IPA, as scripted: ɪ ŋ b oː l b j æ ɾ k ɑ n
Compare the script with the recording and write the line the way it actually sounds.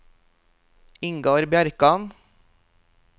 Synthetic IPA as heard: ɪ ŋ ɡ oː ɾ b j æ ɾ k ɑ n